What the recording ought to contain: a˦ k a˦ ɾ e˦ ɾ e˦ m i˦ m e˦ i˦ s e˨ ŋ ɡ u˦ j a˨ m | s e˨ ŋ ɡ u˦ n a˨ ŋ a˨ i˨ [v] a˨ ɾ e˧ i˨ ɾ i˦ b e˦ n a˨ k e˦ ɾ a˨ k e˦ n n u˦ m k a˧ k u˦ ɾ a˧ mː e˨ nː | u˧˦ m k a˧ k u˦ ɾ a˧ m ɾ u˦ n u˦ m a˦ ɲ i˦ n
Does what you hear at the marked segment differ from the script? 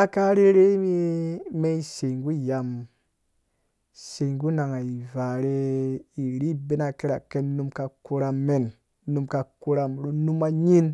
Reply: no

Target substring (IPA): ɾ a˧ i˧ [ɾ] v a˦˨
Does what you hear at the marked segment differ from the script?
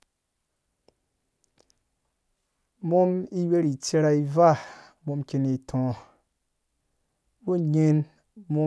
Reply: yes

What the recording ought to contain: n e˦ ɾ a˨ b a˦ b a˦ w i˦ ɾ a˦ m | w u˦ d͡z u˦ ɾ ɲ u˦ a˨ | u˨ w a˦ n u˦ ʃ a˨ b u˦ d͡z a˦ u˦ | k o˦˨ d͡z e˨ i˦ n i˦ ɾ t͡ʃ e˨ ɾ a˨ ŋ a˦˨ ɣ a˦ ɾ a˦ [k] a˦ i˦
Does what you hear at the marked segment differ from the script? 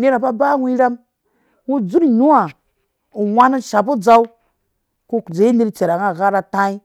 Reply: yes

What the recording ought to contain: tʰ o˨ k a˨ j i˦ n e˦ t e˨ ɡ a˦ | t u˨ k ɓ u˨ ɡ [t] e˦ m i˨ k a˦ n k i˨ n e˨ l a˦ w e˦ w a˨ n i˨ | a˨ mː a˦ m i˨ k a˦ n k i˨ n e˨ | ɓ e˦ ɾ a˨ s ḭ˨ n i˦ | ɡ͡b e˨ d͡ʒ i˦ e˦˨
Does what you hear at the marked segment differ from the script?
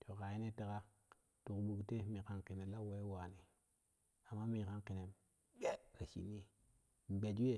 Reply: no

